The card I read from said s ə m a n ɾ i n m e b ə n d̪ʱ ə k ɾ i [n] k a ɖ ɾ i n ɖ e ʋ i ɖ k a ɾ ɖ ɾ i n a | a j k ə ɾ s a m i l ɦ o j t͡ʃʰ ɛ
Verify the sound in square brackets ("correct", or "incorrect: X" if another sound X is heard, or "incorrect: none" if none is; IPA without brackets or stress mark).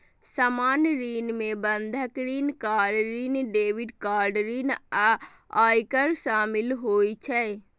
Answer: correct